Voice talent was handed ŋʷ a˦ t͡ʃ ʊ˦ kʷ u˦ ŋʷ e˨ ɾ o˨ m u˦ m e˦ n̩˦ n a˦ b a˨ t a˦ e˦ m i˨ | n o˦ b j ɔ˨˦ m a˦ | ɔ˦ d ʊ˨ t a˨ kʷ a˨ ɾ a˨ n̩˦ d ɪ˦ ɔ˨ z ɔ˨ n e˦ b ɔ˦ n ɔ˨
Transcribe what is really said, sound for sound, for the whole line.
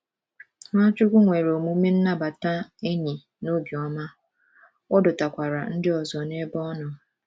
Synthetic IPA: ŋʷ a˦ t͡ʃ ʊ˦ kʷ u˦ ŋʷ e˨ ɾ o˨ m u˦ m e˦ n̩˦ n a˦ b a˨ t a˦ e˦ ɲ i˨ | n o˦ b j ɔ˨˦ m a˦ | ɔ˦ d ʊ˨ t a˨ kʷ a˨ ɾ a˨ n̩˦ d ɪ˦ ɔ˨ z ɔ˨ n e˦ b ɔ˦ n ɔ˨